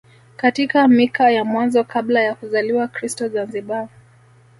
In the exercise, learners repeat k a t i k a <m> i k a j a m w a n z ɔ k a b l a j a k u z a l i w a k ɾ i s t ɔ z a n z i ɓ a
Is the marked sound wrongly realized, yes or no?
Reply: no